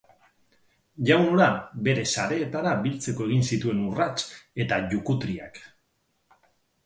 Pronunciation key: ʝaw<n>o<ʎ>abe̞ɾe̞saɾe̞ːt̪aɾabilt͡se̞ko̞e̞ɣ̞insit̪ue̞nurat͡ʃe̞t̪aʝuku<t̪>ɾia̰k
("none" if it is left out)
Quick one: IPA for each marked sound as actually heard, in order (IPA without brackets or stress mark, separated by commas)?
n, ɾ, t̪